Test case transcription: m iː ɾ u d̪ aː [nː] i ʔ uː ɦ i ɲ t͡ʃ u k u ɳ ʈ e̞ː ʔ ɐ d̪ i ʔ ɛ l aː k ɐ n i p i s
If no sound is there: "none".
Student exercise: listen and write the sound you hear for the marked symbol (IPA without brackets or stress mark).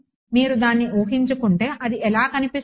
nː